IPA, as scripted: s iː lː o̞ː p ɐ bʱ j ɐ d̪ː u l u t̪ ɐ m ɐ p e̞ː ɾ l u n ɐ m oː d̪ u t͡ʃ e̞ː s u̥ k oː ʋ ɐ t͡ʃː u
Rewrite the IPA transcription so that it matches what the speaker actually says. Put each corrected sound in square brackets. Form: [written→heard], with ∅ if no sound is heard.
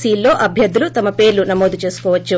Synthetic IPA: s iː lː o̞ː [p→ʔ] ɐ bʱ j ɐ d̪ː u l u t̪ ɐ m ɐ p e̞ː ɾ l u n ɐ m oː d̪ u t͡ʃ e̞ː s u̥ k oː ʋ ɐ t͡ʃː u